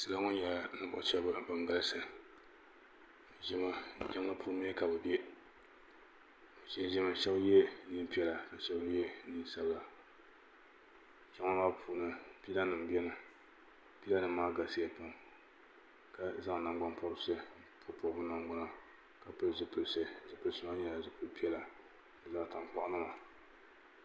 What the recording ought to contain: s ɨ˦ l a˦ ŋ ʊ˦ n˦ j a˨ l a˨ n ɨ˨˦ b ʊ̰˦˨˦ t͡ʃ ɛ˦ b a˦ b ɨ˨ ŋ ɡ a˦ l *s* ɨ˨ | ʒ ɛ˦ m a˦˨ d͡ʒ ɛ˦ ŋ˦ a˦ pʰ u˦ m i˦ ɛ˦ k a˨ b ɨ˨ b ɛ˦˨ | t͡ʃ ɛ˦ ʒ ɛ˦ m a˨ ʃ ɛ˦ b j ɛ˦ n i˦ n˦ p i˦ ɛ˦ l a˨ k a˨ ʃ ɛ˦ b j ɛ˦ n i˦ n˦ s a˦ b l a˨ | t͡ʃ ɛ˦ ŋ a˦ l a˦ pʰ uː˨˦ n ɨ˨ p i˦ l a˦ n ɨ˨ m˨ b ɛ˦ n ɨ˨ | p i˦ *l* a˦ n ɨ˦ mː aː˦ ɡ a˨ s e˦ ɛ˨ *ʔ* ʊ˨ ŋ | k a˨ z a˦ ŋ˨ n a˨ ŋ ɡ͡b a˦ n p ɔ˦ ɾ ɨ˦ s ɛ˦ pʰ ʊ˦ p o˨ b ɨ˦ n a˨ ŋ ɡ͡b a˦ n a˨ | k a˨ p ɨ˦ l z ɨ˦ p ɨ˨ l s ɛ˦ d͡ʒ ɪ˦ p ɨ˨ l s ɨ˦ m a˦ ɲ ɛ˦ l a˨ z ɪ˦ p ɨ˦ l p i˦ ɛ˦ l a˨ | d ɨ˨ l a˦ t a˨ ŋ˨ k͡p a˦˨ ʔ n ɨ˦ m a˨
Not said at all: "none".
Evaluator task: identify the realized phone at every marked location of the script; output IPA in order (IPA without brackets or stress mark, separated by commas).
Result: s, l, p